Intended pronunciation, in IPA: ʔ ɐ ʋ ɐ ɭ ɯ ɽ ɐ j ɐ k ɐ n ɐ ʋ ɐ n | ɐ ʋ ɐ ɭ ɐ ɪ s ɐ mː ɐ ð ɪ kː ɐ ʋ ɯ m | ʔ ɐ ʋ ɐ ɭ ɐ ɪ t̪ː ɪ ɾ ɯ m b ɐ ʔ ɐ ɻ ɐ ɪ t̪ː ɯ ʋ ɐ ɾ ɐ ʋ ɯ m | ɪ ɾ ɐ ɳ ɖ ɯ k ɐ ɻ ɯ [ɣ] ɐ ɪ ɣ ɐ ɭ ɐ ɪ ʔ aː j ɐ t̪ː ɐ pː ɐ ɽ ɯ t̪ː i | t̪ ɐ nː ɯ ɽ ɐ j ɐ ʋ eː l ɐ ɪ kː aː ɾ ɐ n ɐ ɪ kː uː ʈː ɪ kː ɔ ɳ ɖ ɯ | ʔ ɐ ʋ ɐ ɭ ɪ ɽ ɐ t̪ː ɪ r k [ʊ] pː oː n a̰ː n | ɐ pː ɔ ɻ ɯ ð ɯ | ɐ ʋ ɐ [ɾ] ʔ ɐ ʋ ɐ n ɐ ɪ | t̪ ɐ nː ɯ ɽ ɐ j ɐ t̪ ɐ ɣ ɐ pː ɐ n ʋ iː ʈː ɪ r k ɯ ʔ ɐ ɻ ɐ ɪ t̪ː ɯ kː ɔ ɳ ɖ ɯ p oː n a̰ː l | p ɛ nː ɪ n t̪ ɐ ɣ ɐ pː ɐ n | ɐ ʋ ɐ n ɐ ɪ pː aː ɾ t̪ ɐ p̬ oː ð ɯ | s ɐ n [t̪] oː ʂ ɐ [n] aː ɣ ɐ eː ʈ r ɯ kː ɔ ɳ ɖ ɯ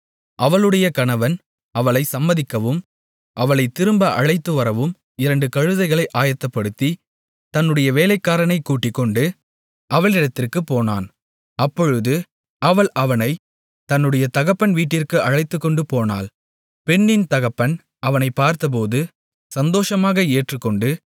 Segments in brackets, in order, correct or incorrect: incorrect: ð, incorrect: ɯ, incorrect: ɭ, incorrect: d̪, incorrect: m

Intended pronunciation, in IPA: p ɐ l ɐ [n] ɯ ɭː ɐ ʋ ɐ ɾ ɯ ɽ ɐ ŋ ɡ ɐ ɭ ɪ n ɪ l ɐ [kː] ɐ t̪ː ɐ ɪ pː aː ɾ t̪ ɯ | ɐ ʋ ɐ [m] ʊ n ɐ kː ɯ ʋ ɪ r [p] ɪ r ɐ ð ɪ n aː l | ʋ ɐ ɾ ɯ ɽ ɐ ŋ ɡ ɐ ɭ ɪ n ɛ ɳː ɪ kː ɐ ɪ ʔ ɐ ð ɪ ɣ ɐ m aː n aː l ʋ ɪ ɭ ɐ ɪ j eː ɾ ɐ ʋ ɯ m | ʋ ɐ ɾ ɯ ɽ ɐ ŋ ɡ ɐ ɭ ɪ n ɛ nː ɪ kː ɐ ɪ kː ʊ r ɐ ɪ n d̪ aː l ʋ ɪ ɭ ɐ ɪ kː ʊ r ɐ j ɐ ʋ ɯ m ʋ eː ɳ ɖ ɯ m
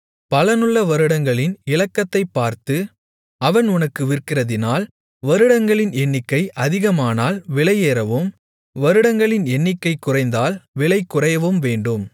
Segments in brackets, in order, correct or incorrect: correct, correct, incorrect: n, incorrect: k

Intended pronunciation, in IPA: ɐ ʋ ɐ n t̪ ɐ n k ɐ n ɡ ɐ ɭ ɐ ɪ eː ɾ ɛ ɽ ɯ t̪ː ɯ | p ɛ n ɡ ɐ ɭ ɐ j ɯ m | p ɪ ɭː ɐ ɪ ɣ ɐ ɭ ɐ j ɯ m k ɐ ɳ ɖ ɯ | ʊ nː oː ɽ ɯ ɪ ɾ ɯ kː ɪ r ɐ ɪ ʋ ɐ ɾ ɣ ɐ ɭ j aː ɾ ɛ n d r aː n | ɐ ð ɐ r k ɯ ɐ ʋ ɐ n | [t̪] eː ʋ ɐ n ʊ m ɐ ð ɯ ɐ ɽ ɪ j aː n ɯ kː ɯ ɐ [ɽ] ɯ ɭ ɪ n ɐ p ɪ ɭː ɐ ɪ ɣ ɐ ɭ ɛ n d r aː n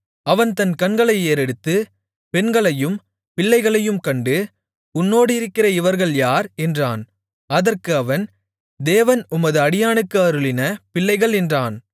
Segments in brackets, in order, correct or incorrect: incorrect: d̪, incorrect: ɾ

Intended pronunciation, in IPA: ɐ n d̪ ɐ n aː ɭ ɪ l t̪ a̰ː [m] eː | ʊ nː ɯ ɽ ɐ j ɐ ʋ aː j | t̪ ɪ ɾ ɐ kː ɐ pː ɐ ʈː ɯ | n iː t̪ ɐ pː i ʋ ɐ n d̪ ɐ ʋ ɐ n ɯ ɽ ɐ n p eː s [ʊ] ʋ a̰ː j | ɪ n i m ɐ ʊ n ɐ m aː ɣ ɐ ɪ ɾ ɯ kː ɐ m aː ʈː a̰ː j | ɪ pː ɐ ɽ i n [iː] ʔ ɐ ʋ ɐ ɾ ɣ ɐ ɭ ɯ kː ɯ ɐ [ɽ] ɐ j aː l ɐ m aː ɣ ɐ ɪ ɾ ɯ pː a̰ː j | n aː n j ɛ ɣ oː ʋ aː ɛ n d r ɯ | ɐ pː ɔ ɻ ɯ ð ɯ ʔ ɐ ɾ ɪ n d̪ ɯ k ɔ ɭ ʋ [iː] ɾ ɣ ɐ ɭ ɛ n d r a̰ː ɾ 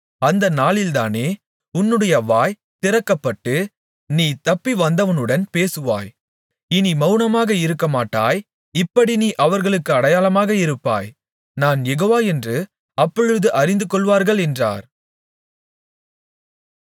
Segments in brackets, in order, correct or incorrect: incorrect: n, incorrect: ɯ, correct, correct, incorrect: aː

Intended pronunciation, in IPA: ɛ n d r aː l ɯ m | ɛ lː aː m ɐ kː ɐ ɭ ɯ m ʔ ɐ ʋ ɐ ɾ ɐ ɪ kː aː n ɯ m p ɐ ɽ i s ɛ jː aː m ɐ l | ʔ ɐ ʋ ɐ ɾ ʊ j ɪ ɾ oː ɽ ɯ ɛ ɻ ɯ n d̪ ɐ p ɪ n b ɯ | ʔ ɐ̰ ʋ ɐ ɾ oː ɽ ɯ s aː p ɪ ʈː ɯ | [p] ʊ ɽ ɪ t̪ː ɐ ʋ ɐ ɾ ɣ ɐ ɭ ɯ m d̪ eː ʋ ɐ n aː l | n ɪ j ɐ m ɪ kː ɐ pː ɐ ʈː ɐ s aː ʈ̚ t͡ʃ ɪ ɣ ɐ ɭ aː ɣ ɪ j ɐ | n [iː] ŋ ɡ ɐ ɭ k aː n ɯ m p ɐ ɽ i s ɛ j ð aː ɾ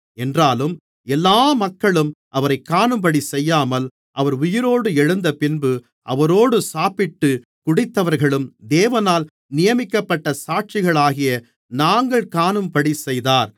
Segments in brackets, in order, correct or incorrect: incorrect: k, incorrect: aː

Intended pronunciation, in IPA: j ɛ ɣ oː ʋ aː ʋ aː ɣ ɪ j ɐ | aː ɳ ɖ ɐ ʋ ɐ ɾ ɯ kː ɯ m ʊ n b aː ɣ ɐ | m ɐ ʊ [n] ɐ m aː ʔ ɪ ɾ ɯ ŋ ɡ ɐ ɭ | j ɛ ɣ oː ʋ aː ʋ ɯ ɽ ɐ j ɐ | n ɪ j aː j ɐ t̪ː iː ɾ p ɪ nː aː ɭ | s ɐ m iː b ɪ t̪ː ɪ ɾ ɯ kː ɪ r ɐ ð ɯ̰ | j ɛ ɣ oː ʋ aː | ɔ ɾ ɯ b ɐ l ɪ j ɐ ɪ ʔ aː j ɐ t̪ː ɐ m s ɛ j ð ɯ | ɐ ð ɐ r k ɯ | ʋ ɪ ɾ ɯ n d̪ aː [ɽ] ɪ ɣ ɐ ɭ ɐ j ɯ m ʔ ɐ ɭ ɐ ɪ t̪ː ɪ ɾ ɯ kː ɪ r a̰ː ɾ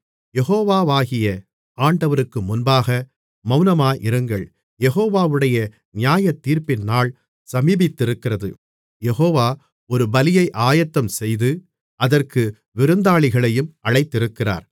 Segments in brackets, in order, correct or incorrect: correct, incorrect: ɭ

